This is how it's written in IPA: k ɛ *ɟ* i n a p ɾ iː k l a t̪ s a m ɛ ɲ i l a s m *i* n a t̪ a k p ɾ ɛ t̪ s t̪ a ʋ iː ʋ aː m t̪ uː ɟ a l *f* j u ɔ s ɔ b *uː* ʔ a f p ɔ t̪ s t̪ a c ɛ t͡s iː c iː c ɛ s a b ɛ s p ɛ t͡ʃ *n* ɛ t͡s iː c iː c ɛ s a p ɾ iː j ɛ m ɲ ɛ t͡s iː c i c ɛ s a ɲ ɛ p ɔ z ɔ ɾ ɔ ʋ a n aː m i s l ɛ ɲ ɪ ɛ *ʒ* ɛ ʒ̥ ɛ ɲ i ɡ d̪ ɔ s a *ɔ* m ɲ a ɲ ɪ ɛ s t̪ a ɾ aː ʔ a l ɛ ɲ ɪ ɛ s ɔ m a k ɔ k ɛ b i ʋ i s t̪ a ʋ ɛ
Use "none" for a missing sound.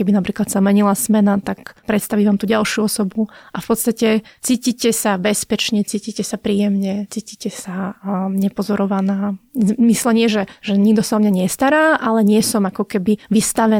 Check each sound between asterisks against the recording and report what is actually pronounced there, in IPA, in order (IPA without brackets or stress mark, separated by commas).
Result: b, ɛ, ʃ, u, ɲ, ʒ, ɔ